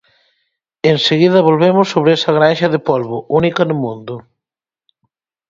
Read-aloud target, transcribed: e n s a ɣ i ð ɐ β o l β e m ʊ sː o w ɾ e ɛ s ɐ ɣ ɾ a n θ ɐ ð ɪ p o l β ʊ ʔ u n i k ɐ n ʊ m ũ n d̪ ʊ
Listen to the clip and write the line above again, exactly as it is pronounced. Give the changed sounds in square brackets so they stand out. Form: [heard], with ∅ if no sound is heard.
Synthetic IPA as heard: e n s [e] ɣ i ð ɐ β o l β e m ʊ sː o [β] ɾ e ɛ s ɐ ɣ ɾ a n [ʃ] ɐ ð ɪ p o l β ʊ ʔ u n i k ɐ n ʊ m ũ n d̪ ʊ